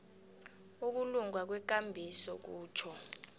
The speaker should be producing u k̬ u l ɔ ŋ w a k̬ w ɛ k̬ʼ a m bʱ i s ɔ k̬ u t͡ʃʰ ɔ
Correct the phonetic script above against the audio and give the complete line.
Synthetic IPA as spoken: u k̬ u l u ŋ w a k̬ w ɛ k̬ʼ a m bʱ i s ɔ k̬ uː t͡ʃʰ ɔ